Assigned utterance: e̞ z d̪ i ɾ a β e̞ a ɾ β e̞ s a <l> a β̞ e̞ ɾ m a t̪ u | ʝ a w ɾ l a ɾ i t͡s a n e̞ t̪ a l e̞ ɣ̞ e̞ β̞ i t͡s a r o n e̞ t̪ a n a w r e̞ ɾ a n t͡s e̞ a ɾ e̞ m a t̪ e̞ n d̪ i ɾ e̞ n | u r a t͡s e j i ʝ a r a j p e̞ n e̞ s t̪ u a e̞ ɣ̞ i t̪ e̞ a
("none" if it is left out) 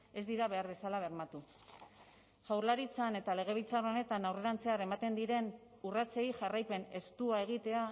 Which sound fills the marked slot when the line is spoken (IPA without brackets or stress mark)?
l